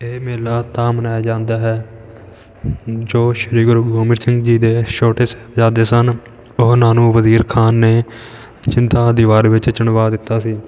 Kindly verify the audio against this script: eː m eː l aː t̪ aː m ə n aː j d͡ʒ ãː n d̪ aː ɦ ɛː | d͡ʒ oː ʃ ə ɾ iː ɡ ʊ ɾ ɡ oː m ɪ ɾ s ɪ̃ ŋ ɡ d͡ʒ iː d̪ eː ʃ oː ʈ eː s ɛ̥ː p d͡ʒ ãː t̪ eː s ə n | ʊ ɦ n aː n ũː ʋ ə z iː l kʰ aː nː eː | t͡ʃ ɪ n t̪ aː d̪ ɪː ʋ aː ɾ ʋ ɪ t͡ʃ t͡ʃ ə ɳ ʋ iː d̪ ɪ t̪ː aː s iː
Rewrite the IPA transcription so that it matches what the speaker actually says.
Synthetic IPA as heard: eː m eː l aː t̪ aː m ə n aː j d͡ʒ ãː n d̪ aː ɦ ɛː | d͡ʒ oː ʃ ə ɾ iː ɡ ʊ ɾ ɡ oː m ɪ ɾ s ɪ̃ ŋ ɡ d͡ʒ iː d̪ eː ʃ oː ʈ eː s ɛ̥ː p d͡ʒ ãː d̪ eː s ə n | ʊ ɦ n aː n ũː ʋ ə z iː ɾ kʰ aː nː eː | t͡ʃ ɪ n t̪ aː d̪ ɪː ʋ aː ɾ ʋ ɪ t͡ʃ t͡ʃ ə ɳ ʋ aː d̪ ɪ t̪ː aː s iː